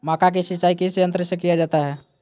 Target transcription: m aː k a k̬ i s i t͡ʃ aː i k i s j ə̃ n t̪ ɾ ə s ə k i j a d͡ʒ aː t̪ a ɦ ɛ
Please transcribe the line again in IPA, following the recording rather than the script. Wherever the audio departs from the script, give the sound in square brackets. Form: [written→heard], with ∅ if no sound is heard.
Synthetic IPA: m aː k a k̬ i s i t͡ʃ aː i k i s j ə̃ n t̪ ɾ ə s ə k i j a d͡ʒ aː t̪ a ɦ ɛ